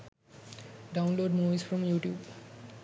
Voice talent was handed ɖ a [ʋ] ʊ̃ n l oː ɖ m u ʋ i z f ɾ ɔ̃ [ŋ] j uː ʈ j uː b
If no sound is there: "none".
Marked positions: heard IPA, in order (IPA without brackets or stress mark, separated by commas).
none, m